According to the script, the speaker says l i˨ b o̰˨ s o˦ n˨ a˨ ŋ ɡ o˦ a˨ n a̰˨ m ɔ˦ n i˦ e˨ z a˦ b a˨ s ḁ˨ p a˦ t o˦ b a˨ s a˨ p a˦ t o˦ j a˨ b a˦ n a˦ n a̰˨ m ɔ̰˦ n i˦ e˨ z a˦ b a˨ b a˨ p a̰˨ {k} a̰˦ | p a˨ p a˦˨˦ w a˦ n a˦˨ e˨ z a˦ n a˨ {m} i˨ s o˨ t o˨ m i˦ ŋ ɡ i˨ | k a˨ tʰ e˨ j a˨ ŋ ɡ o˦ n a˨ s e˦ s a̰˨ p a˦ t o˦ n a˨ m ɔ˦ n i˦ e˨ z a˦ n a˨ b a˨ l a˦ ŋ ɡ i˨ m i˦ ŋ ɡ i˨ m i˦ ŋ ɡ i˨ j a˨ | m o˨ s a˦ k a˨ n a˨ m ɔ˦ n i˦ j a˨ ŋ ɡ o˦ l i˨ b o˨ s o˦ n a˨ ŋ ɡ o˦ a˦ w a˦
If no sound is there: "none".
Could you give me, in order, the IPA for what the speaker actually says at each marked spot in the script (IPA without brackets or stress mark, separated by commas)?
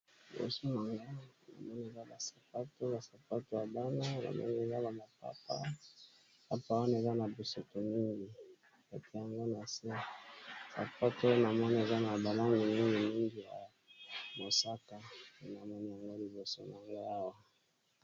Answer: p, b